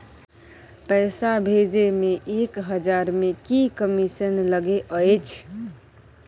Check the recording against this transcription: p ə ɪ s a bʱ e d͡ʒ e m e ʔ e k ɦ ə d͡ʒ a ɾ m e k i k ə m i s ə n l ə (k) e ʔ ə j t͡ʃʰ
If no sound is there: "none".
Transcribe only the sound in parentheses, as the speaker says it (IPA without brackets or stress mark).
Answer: ɡ